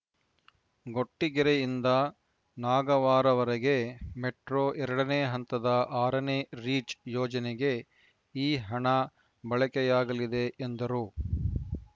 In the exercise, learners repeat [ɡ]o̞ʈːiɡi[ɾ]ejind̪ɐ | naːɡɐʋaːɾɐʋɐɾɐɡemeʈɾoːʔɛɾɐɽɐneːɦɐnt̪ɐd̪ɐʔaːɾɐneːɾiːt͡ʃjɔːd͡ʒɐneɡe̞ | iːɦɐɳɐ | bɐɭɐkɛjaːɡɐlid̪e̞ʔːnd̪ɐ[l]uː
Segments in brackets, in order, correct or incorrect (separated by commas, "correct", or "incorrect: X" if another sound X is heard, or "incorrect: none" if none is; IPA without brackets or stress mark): correct, correct, incorrect: ɾ